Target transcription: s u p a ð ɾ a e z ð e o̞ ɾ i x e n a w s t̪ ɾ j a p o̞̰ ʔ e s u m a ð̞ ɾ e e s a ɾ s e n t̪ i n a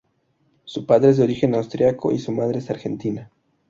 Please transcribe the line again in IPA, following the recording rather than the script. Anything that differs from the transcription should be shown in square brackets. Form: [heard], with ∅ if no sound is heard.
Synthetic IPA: s u p a ð ɾ [e] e z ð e o̞ ɾ i x e n a w s t̪ ɾ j a [k] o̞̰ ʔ [i] s u m a ð̞ ɾ e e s a ɾ [x] e n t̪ i n a

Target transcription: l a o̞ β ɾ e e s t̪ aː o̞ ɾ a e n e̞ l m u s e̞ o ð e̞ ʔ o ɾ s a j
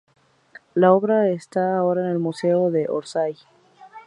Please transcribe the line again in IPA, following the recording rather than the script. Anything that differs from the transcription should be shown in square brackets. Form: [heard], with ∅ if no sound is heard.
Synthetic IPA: l a o̞ β ɾ [a] e s t̪ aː o̞ ɾ a e n e̞ l m u s e̞ o ð e̞ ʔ o ɾ s a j

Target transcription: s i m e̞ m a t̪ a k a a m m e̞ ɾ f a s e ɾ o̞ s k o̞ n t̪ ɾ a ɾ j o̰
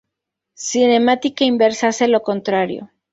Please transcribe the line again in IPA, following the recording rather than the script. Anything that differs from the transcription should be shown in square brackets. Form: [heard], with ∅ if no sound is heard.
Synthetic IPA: s i [n] e̞ m a t̪ [i] k a [i] m [b] e̞ ɾ [s] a s e [l] o̞ [∅] k o̞ n t̪ ɾ a ɾ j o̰

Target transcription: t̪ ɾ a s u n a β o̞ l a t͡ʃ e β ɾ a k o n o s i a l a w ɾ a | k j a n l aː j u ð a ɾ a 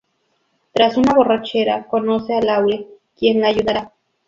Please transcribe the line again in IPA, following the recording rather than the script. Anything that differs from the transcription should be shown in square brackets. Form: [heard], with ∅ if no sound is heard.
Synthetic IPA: t̪ ɾ a s u n a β o̞ [r] a t͡ʃ e [∅] ɾ a k o n o s [e] a l a w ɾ [e] | k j [e] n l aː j u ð a ɾ a

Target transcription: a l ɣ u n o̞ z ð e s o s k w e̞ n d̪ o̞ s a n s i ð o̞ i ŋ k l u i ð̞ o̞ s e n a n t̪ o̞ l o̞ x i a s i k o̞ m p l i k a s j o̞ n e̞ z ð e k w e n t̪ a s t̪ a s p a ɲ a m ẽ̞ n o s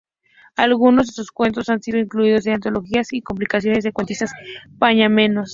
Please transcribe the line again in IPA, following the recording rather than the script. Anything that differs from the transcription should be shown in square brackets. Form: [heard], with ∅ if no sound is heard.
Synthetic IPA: a l ɣ u n o̞ z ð e s o s k w e̞ n [t̪] o̞ s a n s i ð o̞ i ŋ k l u i ð̞ o̞ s e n a n t̪ o̞ l o̞ x i a s i k o̞ m p l i k a s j o̞ n e̞ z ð e k w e n t̪ [i] s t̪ a s p a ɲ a m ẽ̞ n o s

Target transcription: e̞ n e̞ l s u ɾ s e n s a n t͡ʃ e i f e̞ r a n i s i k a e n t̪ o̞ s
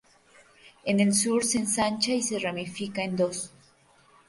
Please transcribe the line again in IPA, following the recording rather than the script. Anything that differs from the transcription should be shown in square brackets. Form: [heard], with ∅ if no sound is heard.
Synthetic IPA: e̞ n e̞ l s u ɾ s e n s a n t͡ʃ [a] i [s] e̞ r a [m] i [f] i k a e n [d̪] o̞ s

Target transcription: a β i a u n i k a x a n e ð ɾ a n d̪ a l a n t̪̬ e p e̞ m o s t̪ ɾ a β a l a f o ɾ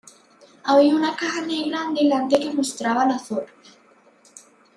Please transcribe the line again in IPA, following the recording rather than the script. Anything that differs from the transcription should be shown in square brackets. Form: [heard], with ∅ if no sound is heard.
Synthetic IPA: a β i a u n [a] k a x a n e [ɣ] ɾ a n d̪ [e] l a n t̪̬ e [k] e̞ m o s t̪ ɾ a β a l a [θ] o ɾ

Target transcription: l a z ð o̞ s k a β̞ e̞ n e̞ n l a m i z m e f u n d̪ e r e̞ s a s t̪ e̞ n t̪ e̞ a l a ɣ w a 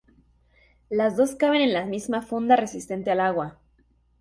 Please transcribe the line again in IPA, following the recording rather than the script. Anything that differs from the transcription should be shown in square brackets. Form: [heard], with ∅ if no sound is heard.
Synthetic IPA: l a z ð o̞ s k a β̞ e̞ n e̞ n l a m i z m [a] f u n d̪ [a] r e̞ s [i] s t̪ e̞ n t̪ e̞ a l a ɣ w a

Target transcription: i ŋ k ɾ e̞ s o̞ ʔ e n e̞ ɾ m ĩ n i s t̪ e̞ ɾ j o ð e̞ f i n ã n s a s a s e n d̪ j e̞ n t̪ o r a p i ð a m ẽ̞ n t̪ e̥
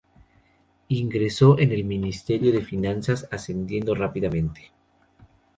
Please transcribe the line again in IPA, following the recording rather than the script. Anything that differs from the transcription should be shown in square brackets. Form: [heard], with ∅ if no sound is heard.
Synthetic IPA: i ŋ [ɡ] ɾ e̞ s o̞ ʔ e n e̞ [l] m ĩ n i s t̪ e̞ ɾ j o ð e̞ f i n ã n s a s a s e n d̪ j e̞ n [d̪] o r a p i ð a m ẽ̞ n t̪ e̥

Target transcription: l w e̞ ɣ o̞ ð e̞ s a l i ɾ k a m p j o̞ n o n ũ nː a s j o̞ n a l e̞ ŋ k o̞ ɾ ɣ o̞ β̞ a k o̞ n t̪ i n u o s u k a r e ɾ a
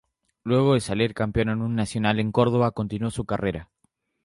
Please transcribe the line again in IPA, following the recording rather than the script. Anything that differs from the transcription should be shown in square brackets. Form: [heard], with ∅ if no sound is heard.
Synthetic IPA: l w e̞ ɣ o̞ ð e̞ s a l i ɾ k a m p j o̞ n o n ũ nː a s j o̞ n a l e̞ ŋ k o̞ ɾ [ð] o̞ β̞ a k o̞ n t̪ i n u o s u k a r e ɾ a

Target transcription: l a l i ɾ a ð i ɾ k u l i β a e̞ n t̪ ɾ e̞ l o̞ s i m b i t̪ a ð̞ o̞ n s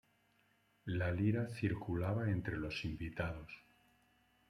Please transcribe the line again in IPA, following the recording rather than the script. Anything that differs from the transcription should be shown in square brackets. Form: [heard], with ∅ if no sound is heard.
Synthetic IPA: l a l i ɾ a [θ] i ɾ k u l [a] β a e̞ n t̪ ɾ e̞ l o̞ s i m b i t̪ a ð̞ o̞ [∅] s

